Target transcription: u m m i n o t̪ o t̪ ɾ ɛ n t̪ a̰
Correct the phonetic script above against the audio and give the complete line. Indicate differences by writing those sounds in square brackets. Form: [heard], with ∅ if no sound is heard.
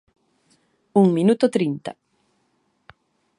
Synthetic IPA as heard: u [ŋ] m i n [u] t̪ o t̪ ɾ [i] n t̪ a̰